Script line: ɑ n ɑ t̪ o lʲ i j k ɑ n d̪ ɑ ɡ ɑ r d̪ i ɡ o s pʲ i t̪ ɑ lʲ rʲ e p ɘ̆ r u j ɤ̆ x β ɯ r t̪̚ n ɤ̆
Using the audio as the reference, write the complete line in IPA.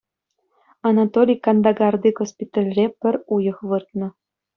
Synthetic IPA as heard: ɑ n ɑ t̪ o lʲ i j k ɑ n d̪ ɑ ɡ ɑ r d̪ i ɡ o s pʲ i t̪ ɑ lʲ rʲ e p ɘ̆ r u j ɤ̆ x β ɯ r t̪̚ n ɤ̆